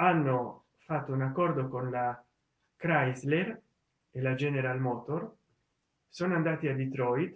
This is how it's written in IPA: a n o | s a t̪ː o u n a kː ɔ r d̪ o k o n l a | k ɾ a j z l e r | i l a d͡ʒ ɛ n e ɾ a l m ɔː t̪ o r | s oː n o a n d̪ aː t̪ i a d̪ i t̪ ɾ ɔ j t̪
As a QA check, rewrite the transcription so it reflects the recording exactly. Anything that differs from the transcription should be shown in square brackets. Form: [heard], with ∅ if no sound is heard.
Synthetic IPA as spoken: a [nː] o | [f] a t̪ː o u n a kː ɔ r d̪ o k o n l a | k ɾ a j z l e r | [e] l a d͡ʒ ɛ n e ɾ a l m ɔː t̪ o r | s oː n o a n d̪ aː t̪ i a d̪ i t̪ ɾ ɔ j t̪

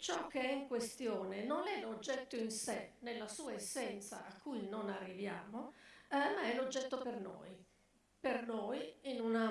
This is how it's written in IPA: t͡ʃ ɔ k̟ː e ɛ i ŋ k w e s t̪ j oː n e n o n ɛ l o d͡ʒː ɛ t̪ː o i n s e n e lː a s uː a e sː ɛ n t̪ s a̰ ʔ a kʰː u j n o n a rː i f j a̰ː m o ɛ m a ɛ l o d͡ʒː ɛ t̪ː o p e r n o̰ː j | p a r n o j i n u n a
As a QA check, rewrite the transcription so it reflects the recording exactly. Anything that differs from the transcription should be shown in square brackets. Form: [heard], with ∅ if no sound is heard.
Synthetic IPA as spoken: t͡ʃ ɔ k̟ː e ɛ i ŋ k w e s t̪ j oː n e n o n ɛ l o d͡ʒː ɛ t̪ː o i n s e n e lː a s uː a e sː ɛ n t̪ s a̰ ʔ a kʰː u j n o n a rː i [v] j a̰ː m o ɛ m a ɛ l o d͡ʒː ɛ t̪ː o p e r n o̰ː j | p [e] r n o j i n u n a

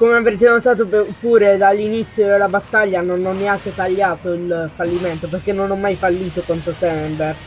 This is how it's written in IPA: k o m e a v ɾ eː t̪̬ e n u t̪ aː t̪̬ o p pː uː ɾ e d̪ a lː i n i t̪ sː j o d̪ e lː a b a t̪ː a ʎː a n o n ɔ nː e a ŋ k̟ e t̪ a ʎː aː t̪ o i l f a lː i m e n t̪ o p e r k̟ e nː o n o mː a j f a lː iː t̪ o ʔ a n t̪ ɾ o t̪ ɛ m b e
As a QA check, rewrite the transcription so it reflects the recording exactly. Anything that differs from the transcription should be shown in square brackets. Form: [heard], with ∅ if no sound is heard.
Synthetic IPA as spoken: k o m e a v ɾ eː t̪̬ e n [o] t̪ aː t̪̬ o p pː uː ɾ e d̪ a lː i n i t̪ sː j o d̪ e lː a b a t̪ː a ʎː a n o n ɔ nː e a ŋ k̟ e t̪ a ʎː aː t̪ o i l f a lː i m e n t̪ o p e r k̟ e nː o n [ɔ] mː a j f a lː iː t̪ o [k] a n t̪ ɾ o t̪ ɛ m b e

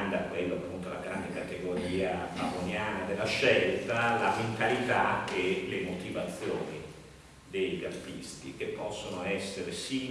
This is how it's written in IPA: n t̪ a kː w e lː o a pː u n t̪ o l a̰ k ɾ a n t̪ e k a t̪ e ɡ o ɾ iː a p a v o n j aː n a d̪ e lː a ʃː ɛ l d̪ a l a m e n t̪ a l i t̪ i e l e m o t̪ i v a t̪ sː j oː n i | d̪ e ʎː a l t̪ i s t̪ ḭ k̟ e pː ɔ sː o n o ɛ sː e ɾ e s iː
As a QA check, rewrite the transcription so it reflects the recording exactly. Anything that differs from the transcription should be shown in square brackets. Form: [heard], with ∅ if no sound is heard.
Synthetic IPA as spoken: n [d̪] a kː w e lː o a pː u n t̪ o l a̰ [ɡ] ɾ a n [d̪] e k a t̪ e ɡ o ɾ iː a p a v o n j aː n a d̪ e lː a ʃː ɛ l [t̪] a l a m e n t̪ a l i t̪ [a] e l e m o t̪ i v a t̪ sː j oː n i | d̪ e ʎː a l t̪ i s t̪ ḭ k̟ e pː ɔ sː o n o ɛ sː e ɾ e s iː

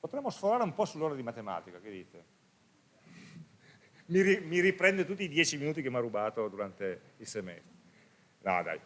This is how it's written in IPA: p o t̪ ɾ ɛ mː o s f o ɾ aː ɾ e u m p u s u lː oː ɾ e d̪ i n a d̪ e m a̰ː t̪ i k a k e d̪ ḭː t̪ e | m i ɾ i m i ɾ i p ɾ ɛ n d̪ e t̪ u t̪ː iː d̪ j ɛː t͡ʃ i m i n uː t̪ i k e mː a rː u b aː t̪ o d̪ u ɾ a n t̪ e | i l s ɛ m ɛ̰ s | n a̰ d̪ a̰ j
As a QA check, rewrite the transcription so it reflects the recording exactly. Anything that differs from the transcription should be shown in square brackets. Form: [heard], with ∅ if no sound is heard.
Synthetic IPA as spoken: p o t̪ ɾ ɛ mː o s f o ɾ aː ɾ e u m p [ɔ] s u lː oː ɾ [a] d̪ i [m] a [t̪] e m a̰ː t̪ i k a k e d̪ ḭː t̪ e | m i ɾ i m i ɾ i p ɾ ɛ n d̪ e t̪ u t̪ː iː d̪ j ɛː t͡ʃ i m i n uː t̪ i k e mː a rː u b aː t̪ o d̪ u ɾ a n t̪ e | i l s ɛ m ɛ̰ s | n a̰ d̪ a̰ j

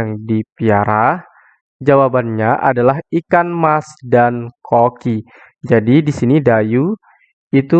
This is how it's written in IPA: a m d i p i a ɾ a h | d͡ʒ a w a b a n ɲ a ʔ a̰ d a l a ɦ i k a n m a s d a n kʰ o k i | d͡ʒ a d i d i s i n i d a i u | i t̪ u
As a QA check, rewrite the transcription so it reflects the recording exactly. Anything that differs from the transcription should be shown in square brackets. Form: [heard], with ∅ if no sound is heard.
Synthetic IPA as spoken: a [ŋ] d i p i a ɾ a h | d͡ʒ a w a b a n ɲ a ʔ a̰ d a l a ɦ i k a n m a s d a n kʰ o k i | d͡ʒ a d i d i s i n i d a [j] u | i t̪ u

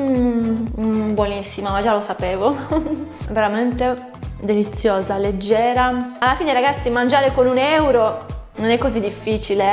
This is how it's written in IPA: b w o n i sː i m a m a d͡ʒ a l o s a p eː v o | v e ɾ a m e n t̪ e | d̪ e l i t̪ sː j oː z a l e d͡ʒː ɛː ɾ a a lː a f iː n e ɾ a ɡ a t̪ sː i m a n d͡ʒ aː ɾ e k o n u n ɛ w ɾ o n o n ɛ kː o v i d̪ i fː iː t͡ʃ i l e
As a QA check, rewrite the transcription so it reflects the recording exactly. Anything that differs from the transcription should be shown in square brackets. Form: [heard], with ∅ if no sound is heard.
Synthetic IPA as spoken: b w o n i sː i m a m a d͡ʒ a l o s a p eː v o | v e ɾ a m e n t̪ e | d̪ e l i t̪ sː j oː z a l e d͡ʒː ɛː ɾ a a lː a f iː n e ɾ a ɡ a t̪ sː i m a n d͡ʒ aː ɾ e k o n u n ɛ w ɾ o n o n ɛ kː o [z] i d̪ i fː iː t͡ʃ i l e

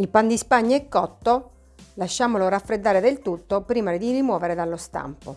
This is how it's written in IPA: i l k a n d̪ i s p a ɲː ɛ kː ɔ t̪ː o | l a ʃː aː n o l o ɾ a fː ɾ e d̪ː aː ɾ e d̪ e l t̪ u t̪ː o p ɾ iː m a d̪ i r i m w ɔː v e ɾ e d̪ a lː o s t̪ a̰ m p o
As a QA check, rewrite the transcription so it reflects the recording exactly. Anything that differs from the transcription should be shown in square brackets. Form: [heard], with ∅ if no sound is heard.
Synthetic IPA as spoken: i l [p] a n d̪ i s p a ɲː ɛ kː ɔ t̪ː o | l a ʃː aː [m] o l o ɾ a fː ɾ e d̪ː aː ɾ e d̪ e l t̪ u t̪ː o p ɾ iː m a d̪ i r i m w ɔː v e ɾ e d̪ a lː o s t̪ a̰ m p o

